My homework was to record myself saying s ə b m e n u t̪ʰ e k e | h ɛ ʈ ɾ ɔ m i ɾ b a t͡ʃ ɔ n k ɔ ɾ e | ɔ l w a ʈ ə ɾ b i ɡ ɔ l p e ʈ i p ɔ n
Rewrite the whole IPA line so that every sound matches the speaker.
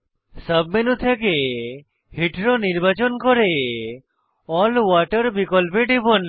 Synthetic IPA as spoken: s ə b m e n u t̪ʰ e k e | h i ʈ ɾ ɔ n i ɾ b a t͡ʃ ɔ n k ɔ ɾ e | ɔ l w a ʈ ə ɾ b i k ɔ l p e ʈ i b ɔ n

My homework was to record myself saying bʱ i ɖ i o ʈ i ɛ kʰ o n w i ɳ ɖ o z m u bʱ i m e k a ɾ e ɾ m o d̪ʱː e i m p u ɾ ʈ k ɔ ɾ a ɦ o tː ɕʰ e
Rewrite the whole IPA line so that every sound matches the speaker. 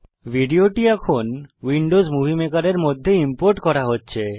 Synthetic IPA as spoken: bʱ i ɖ i o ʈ i ɛ kʰ o n w i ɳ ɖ o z m u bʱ i m e k a ɾ e ɾ m o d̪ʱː e i m p o ɾ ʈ k ɔ ɾ a ɦ o tː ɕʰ e

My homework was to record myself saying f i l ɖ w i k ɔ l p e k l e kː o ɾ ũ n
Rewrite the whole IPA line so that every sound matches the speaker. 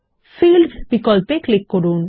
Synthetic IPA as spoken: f i l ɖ b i k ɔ l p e k l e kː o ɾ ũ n

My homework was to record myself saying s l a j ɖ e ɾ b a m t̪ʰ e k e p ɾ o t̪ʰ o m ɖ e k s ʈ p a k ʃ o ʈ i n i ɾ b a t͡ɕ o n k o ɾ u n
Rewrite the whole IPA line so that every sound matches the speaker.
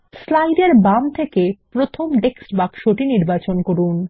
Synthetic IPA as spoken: s l a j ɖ e ɾ b a m t̪ʰ e k e p ɾ o t̪ʰ o m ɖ e k s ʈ b a k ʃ o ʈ i n i ɾ b a t͡ɕ o n k o ɾ u n

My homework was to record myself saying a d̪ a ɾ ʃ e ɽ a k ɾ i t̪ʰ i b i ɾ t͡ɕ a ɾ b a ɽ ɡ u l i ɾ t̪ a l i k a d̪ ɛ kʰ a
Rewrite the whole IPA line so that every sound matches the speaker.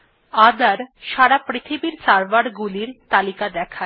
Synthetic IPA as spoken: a d̪ a ɾ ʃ a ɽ a p ɾ i t̪ʰ i b i ɾ t͡ɕ a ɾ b a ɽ ɡ u l i ɾ t̪ a l i k a d̪ ɛ kʰ a

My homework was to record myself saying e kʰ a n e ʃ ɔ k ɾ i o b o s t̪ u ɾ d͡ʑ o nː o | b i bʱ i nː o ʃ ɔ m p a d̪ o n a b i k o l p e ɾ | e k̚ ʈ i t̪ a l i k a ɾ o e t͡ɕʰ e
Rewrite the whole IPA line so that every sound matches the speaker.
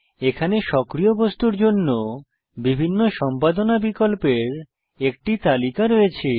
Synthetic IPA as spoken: e kʰ a n e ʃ ɔ k ɾ i o b o s t̪ u ɾ d͡ʑ o nː o | b i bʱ i nː o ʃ ɔ m p a d̪ o n a b i k o l p e ɾ | e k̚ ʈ i t̪ a l i k a ɾ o e t͡ɕʰ e

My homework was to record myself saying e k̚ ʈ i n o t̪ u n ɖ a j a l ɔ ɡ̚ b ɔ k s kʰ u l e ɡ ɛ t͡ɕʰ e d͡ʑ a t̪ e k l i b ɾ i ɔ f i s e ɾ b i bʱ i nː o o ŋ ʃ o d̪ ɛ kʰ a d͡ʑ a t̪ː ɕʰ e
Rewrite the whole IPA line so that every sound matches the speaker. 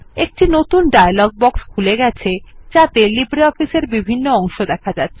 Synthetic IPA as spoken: e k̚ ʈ i n o t̪ u n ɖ a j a l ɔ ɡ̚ b ɔ k s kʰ u l e ɡ ɛ t͡ɕʰ e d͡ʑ a t̪ e l i b ɾ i ɔ f i s e ɾ b i bʱ i nː o ɔ ŋ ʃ o d̪ ɛ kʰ a d͡ʑ a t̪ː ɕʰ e

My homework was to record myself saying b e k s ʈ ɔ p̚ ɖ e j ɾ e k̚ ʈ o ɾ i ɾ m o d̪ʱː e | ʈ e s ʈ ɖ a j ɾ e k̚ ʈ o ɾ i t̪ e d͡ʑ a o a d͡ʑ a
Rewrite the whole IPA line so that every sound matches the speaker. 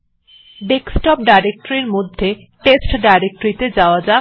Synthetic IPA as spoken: b e k s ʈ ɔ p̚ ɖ a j ɾ e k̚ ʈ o ɾ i ɾ m o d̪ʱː e | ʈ e s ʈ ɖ a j ɾ e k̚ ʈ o ɾ i t̪ e d͡ʑ a o a d͡ʑ a

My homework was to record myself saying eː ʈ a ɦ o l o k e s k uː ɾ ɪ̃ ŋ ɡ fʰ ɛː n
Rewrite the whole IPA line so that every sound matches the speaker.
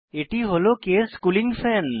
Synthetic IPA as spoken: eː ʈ i ɦ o l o k e s k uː l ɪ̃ ŋ ɡ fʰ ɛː n

